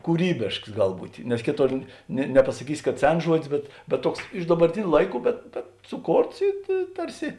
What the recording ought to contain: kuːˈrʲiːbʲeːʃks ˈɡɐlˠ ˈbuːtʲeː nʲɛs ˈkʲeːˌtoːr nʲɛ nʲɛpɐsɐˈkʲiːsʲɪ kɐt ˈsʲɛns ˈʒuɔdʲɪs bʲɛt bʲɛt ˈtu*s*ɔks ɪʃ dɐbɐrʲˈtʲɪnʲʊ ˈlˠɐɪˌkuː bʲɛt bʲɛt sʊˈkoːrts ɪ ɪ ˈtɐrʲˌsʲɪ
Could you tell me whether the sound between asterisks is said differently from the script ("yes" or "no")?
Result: yes